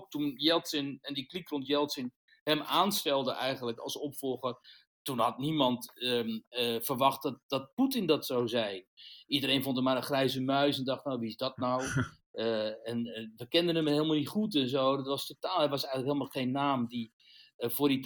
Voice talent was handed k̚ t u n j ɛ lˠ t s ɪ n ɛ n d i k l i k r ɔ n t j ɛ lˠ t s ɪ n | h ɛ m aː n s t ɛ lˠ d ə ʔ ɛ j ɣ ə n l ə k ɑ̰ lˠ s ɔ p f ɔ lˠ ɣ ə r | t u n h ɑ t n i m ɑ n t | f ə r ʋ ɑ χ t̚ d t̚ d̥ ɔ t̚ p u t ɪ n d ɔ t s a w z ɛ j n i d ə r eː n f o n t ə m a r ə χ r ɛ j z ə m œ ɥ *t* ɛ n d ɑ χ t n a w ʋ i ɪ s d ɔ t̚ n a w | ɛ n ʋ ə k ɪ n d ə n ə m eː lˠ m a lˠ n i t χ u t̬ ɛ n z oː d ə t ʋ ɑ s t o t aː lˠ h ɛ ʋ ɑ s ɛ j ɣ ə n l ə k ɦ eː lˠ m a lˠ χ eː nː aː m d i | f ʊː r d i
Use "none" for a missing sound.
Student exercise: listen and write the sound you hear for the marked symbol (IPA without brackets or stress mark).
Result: s